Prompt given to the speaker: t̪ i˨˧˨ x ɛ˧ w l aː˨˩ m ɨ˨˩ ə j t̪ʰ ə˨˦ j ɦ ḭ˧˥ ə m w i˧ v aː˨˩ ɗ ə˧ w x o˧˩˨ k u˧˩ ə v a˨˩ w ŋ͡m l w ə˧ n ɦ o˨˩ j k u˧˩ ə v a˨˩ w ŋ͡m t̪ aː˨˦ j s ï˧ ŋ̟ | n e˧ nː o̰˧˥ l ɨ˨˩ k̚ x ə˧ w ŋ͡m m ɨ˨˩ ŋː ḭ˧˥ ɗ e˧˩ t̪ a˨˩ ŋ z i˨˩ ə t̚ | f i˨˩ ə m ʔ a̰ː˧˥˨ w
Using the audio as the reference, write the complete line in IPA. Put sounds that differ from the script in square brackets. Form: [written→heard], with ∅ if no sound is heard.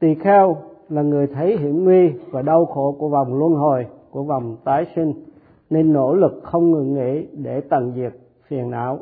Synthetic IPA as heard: t̪ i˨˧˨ x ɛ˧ w l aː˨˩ [m→ŋ] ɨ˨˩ ə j t̪ʰ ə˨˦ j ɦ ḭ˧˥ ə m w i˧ v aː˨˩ ɗ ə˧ w x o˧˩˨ k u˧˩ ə v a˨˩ w ŋ͡m l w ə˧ n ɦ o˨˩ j k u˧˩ ə v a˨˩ w ŋ͡m t̪ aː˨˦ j s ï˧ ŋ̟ | n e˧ nː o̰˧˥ l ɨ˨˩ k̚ x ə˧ w ŋ͡m [m→ŋ] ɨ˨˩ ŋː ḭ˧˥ ɗ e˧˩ t̪ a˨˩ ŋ z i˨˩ ə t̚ | f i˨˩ ə [m→n] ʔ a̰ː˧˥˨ w